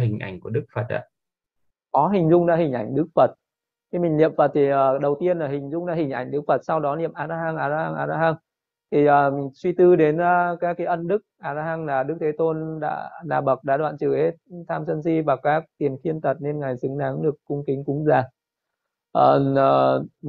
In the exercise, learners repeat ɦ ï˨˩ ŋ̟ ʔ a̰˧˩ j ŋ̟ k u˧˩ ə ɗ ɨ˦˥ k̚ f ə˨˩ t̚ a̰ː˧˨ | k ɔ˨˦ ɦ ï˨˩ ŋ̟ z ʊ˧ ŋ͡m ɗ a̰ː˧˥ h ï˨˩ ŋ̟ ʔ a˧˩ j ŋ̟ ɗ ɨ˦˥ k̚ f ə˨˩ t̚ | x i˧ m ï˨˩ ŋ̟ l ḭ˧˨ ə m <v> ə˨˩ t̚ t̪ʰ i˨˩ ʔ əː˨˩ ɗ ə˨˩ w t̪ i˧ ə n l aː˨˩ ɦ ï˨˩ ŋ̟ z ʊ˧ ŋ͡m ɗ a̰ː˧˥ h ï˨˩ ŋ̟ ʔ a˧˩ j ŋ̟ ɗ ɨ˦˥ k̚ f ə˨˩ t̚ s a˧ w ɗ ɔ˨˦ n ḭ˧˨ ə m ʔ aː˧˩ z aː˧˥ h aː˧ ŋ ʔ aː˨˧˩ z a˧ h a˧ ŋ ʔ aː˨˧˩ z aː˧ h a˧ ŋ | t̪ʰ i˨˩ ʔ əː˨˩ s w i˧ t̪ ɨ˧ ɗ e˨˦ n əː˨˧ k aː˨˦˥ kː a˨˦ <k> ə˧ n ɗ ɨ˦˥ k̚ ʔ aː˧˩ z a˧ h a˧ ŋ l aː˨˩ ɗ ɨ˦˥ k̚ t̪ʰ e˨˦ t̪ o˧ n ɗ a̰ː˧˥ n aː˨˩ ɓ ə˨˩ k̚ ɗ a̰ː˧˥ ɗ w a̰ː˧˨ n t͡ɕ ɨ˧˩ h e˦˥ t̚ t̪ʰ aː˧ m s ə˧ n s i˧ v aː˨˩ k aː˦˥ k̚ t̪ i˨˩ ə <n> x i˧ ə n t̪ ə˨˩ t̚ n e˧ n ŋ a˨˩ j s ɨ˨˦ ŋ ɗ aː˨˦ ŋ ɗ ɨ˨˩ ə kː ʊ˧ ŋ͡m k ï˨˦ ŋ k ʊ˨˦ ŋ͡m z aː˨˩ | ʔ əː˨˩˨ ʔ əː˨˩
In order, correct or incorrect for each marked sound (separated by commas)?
incorrect, incorrect, correct